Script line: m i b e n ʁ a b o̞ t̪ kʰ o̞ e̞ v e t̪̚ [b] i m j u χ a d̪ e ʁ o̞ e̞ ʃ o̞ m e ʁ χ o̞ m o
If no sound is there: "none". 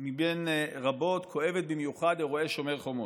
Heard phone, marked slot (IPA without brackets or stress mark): b